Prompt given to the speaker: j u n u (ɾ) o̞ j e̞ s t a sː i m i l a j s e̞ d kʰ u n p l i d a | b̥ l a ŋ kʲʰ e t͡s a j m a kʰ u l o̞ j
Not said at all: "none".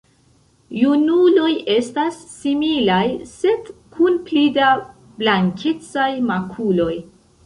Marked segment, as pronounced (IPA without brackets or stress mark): l